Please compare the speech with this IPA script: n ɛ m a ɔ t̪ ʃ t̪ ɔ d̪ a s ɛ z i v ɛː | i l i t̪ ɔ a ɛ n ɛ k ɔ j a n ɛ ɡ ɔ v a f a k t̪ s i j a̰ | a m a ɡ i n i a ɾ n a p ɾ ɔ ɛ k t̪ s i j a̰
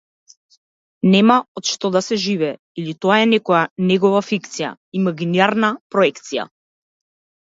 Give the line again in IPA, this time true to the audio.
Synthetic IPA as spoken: n ɛ m a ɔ t̪ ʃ t̪ ɔ d̪ a s ɛ ʒ i v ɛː | i l i t̪ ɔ a ɛ n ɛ k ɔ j a n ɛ ɡ ɔ v a f i k t̪ s i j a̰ | i m a ɡ i n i a ɾ n a p ɾ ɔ ɛ k t̪ s i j a̰